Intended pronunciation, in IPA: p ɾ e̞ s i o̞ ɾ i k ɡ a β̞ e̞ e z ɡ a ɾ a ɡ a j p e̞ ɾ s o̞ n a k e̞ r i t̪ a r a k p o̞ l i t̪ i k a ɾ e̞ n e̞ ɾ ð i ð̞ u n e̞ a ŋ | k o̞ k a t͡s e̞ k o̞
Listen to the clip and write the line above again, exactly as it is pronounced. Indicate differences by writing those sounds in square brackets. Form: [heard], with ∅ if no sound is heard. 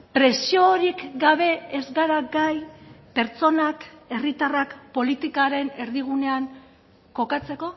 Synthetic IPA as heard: p ɾ e̞ s i o̞ ɾ i k ɡ a β̞ e̞ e z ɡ a ɾ a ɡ a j p e̞ ɾ [t͡s] o̞ n a k e̞ r i t̪ a r a k p o̞ l i t̪ i k a ɾ e̞ n e̞ ɾ ð i [ɣ̞] u n e̞ a ŋ | k o̞ k a t͡s e̞ k o̞